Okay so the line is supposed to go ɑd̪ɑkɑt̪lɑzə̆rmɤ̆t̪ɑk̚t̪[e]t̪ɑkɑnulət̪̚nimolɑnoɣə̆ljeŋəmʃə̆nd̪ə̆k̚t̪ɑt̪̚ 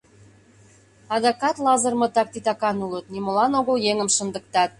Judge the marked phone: incorrect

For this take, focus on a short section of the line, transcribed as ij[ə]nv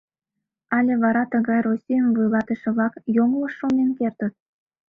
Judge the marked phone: correct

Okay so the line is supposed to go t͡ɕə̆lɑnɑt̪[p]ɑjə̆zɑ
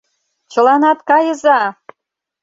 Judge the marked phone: incorrect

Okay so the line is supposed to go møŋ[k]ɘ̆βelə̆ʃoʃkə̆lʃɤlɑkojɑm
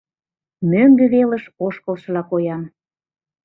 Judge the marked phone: incorrect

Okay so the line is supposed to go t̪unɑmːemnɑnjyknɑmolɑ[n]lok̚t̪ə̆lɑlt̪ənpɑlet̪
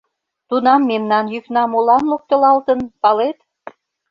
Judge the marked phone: correct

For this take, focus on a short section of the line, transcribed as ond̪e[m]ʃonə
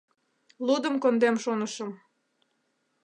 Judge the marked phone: correct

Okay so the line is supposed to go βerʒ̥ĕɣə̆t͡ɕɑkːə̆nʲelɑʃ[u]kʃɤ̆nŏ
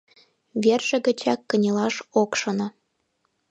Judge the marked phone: incorrect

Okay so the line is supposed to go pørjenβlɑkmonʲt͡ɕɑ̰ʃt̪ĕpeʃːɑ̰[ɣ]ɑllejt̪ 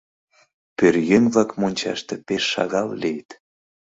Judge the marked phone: correct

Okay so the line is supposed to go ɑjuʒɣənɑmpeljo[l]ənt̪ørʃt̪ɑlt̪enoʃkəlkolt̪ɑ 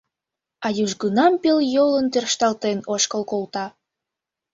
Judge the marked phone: correct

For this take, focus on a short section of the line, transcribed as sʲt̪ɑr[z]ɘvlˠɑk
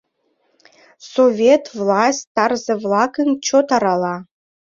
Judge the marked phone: correct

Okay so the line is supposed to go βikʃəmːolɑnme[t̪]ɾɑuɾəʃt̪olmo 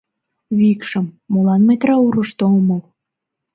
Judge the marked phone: correct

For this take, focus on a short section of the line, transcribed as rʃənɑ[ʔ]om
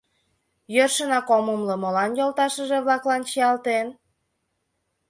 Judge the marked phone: incorrect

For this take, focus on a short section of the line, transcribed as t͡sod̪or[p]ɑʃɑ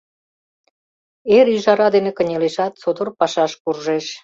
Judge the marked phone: correct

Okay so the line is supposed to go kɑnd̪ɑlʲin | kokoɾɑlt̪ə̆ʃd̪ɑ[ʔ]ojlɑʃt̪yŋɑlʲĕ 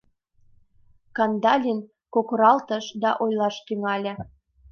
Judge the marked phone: correct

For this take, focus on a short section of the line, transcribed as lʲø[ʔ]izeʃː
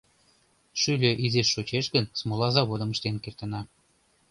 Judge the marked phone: correct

